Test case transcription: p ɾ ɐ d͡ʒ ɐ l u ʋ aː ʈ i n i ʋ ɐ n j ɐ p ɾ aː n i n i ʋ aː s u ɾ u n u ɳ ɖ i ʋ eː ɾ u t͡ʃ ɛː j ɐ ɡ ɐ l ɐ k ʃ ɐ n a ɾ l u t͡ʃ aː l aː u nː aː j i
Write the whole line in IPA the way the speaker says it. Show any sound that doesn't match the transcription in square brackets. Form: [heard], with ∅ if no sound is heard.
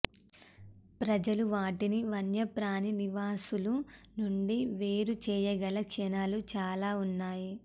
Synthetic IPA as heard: p ɾ ɐ d͡ʒ ɐ l u ʋ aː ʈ i n i ʋ ɐ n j ɐ p ɾ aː n i n i ʋ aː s u [l] u n u ɳ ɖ i ʋ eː ɾ u t͡ʃ ɛː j ɐ ɡ ɐ l ɐ k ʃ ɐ n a [∅] l u t͡ʃ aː l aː u nː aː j i